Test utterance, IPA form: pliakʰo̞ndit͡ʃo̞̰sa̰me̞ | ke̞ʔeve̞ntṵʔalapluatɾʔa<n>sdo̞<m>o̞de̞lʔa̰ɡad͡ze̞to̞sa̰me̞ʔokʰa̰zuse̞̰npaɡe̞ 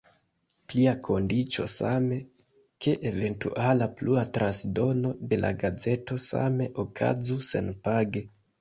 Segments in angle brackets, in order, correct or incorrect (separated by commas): correct, incorrect